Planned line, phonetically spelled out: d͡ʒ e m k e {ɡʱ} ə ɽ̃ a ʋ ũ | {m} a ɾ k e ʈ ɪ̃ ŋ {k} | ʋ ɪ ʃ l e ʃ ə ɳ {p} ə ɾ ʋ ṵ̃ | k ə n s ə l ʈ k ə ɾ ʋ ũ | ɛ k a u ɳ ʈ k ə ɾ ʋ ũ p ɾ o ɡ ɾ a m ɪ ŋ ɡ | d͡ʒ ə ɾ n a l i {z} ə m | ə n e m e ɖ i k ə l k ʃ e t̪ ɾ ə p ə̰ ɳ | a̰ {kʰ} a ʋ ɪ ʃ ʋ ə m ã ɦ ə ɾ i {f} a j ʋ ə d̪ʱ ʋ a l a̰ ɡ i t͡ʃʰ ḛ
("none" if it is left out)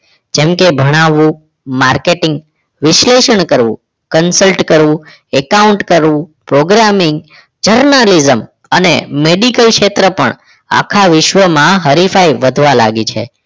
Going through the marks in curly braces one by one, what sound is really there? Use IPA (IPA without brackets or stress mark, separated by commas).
bʱ, m, ɡ, k, z, kʰ, f